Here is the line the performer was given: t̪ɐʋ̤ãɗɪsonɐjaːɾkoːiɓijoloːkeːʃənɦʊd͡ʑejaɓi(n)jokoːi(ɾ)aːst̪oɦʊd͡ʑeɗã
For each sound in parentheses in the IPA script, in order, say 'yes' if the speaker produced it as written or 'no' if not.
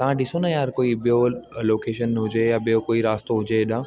no, yes

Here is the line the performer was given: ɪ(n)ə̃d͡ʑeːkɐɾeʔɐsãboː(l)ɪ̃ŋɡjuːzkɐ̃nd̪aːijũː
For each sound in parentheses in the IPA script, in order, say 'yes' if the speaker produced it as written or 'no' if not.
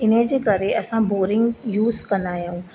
yes, no

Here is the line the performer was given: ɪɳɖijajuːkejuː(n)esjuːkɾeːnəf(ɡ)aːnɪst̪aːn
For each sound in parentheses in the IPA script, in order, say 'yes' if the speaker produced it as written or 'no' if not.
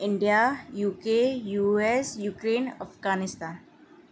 no, yes

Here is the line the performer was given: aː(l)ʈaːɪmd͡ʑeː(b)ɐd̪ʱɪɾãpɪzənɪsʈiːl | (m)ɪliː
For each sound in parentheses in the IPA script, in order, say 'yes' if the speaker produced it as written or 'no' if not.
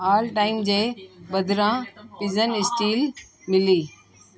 yes, yes, yes

